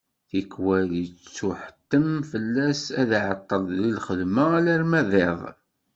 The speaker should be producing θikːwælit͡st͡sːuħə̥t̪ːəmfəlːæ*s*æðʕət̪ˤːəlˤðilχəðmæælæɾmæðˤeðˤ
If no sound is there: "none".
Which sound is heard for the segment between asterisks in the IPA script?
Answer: s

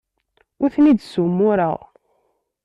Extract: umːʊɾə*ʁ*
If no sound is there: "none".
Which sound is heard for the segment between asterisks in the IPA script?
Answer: ʁ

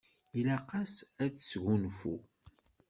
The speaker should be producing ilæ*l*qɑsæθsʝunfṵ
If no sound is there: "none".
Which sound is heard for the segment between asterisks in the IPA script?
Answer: none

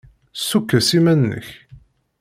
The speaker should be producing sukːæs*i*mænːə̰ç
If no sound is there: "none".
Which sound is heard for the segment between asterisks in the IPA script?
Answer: i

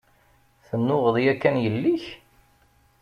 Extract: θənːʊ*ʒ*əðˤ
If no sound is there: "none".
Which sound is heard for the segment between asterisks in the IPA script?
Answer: ʁ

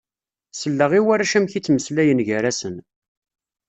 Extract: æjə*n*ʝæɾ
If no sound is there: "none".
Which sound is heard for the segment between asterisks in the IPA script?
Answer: n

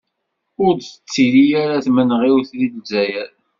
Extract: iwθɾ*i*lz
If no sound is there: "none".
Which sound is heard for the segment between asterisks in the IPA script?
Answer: i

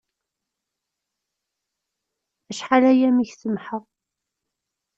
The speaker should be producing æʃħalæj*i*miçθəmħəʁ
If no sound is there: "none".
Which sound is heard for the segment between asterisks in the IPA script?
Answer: æ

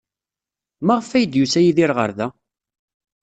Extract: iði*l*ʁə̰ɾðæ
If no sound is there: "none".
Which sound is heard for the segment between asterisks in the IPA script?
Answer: ɾ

